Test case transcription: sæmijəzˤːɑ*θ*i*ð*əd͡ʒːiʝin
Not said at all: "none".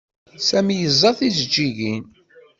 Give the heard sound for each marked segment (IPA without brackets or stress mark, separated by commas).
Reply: θ, z